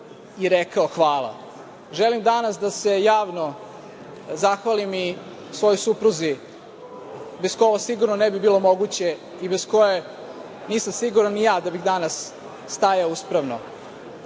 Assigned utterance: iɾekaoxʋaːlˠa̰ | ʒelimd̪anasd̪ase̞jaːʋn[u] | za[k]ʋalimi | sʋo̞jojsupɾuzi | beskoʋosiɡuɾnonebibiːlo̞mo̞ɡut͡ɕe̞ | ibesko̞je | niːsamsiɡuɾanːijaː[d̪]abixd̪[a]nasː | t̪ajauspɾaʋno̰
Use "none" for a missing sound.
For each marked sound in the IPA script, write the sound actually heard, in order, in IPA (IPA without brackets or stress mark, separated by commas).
o, x, d̪, a